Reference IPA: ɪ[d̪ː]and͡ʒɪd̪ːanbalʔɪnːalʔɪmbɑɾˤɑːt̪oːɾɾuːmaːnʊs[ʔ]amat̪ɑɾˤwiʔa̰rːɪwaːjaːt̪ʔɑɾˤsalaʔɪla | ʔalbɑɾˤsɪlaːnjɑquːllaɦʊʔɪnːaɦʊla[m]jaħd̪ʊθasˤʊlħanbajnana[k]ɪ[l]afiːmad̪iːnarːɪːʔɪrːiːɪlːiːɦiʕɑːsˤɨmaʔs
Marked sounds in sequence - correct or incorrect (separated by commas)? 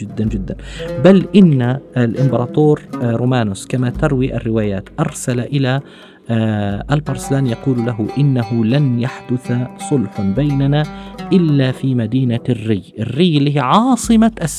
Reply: correct, incorrect, incorrect, incorrect, incorrect